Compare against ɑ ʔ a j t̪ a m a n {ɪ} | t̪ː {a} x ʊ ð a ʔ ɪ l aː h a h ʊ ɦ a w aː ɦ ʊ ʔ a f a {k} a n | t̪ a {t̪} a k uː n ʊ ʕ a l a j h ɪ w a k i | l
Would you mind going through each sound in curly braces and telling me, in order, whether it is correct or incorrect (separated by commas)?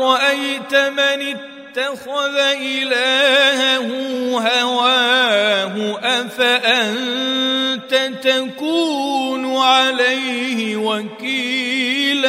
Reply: correct, correct, incorrect, correct